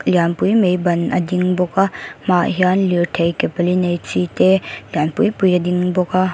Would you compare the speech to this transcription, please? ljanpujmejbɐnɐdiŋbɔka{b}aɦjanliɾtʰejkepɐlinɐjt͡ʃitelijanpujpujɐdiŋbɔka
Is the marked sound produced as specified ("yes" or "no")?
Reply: no